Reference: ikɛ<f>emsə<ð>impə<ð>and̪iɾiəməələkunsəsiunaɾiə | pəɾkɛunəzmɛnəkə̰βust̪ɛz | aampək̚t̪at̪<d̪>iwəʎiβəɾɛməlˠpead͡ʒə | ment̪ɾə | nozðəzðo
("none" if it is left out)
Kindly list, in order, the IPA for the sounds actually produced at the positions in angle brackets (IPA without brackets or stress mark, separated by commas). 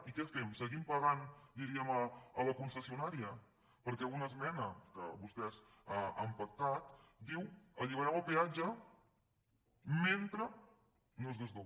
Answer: f, ɣ, ɣ, d̪